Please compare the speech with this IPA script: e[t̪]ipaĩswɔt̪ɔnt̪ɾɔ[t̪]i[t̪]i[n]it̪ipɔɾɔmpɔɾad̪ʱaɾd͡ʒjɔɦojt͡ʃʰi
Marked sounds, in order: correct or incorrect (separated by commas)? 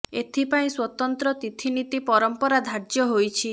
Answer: incorrect, correct, incorrect, correct